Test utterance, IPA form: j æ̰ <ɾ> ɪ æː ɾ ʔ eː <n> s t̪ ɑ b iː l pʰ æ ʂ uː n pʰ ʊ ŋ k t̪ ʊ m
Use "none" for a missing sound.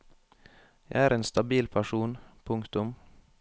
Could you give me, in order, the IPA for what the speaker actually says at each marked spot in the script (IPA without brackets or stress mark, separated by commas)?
none, n